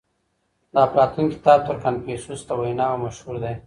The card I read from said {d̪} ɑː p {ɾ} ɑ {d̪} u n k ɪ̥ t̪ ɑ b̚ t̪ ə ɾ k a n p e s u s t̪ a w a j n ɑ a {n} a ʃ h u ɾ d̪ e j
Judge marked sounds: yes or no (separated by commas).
yes, yes, no, no